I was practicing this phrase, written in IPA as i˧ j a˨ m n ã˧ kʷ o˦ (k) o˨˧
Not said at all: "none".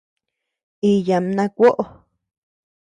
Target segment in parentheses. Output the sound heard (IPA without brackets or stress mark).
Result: ʔ